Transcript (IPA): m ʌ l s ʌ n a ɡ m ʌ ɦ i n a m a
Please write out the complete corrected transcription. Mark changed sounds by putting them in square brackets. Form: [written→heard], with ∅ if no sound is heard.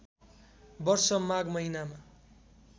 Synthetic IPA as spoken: [m→b] ʌ [l→r] s ʌ [n→m] a ɡ m ʌ ɦ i n a m a